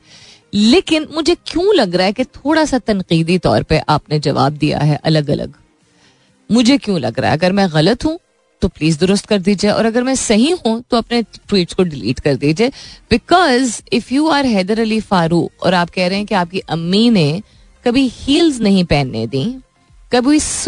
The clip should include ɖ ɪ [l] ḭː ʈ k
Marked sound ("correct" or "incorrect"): correct